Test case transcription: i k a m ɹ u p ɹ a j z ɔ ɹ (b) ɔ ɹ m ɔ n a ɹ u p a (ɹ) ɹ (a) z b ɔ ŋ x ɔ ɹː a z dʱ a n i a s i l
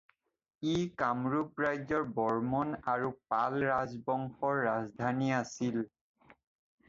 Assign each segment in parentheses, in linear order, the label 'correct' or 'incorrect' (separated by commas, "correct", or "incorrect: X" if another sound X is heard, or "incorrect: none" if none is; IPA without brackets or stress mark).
correct, incorrect: l, correct